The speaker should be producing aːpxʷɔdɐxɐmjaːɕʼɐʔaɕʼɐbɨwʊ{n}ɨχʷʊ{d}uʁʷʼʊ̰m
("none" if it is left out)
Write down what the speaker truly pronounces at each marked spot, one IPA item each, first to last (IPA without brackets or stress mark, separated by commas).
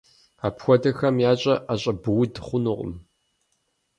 d, n